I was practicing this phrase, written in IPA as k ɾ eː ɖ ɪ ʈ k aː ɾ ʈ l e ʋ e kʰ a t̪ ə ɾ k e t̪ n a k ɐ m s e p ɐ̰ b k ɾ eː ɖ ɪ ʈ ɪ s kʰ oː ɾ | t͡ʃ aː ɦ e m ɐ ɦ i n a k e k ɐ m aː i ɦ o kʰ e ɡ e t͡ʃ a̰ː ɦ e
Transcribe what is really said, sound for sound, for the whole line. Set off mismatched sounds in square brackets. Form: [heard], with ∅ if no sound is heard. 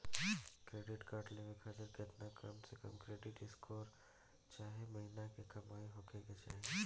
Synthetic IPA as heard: k ɾ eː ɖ ɪ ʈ k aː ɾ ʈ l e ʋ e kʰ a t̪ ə ɾ k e t̪ n a k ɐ m s e [k] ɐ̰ [m] k ɾ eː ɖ ɪ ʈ ɪ s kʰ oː ɾ | t͡ʃ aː ɦ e m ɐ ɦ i n a k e k ɐ m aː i ɦ o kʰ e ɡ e t͡ʃ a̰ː ɦ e